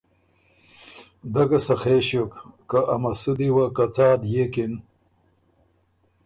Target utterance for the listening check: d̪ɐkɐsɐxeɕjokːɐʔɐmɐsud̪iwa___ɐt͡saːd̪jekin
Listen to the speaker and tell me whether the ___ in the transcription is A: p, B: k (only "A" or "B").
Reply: B